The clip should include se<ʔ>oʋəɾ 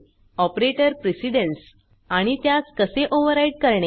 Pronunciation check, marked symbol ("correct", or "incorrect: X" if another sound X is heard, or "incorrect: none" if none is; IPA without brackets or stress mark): correct